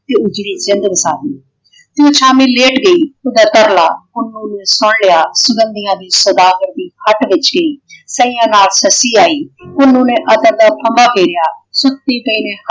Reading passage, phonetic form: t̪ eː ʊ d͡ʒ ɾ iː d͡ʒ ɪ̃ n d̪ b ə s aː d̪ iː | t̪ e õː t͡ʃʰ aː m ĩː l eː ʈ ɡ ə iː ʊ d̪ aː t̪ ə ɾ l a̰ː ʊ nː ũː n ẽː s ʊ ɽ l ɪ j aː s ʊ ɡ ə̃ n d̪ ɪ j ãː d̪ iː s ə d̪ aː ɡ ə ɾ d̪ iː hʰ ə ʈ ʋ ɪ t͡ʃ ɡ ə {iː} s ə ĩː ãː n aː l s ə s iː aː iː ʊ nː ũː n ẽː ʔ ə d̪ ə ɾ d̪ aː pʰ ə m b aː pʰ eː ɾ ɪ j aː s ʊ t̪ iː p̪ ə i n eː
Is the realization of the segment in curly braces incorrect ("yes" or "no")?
no